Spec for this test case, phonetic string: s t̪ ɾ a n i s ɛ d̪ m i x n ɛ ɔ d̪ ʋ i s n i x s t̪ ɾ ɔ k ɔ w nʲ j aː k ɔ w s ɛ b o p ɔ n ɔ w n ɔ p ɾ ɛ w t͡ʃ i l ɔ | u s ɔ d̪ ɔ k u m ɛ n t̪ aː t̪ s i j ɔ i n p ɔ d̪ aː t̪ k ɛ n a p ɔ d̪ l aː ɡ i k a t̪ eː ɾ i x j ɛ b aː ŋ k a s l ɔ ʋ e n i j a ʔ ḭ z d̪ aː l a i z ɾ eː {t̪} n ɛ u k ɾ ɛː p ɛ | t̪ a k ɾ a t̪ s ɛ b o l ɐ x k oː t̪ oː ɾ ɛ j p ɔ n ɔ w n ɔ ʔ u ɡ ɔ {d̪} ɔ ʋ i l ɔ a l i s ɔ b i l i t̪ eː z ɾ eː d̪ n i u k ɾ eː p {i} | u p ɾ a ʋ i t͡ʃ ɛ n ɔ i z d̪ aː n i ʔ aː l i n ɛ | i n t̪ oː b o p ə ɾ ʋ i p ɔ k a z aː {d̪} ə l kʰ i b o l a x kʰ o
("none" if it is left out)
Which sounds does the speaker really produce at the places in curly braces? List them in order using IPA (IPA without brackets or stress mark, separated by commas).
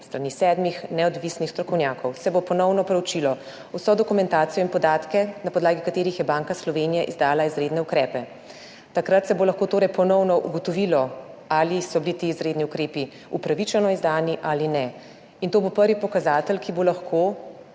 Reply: d̪, t̪, i, t̪